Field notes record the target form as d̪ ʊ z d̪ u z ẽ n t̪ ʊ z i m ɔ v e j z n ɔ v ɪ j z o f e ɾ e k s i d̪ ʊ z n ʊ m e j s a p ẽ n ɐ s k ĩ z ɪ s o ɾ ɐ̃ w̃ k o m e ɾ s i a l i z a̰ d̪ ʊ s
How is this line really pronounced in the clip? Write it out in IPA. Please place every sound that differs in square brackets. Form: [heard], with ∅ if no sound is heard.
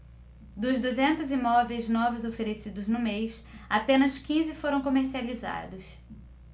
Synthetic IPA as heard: d̪ ʊ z d̪ u z ẽ n t̪ ʊ z i m ɔ v e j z n ɔ v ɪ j z o f e ɾ e [∅] s i d̪ ʊ z n ʊ m e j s a p ẽ n ɐ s k ĩ z ɪ [f] o ɾ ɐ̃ w̃ k o m e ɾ s i a l i z a̰ d̪ ʊ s